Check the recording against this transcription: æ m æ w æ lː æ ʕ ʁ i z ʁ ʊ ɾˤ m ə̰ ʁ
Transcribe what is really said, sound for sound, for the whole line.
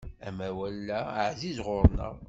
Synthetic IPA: æ m æ w æ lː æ ʕ z i z ʁ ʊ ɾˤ n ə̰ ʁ